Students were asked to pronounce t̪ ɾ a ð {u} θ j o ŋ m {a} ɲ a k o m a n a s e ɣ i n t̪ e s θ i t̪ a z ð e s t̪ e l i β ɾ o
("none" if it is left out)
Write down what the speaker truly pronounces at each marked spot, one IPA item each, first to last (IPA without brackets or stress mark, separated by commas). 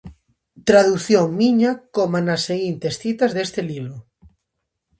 u, i